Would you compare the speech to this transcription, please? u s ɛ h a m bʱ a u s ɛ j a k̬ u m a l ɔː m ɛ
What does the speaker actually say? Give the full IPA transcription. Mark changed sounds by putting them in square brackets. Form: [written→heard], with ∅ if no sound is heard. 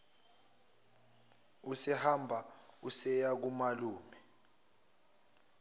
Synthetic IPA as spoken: u s ɛ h a m bʱ a u s ɛ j a k̬ u m a l [ɔː→uː] m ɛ